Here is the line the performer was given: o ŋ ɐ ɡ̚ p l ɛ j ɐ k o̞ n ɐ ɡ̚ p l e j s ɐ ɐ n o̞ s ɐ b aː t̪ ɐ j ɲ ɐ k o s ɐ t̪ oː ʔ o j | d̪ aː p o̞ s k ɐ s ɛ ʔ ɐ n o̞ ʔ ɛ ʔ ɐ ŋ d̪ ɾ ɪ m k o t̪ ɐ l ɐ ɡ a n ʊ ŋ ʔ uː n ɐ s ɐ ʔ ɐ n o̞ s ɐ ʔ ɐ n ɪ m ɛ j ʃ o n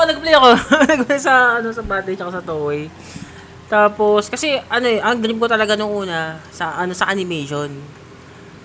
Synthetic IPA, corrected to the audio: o n ɐ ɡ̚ p l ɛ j ɐ k o̞ n ɐ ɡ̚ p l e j s ɐ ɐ n o̞ s ɐ b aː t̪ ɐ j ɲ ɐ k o s ɐ t̪ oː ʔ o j | t̪ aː p o̞ s k ɐ s ɛ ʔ ɐ n o̞ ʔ ɛ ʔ ɐ ŋ d̪ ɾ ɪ m k o t̪ ɐ l ɐ ɡ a n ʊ ŋ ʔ uː n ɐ s ɐ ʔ ɐ n o̞ s ɐ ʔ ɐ n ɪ m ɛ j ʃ o n